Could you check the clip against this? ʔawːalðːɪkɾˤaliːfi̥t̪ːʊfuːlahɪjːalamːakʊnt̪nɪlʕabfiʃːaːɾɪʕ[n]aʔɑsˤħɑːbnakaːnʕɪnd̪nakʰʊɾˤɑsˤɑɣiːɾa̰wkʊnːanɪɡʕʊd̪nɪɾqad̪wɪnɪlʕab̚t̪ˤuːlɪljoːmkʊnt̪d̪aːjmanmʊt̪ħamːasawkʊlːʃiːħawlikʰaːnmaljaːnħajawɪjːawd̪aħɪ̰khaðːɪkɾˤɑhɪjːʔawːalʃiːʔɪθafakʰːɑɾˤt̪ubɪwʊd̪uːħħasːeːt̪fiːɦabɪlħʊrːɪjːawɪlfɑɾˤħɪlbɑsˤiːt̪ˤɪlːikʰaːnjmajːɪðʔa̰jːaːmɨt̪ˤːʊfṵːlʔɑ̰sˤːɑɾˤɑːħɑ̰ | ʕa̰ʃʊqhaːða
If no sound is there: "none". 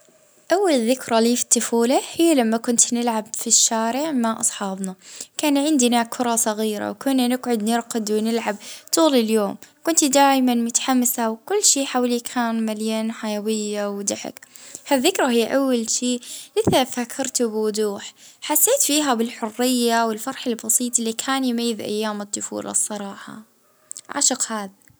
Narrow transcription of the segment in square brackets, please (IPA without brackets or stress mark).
m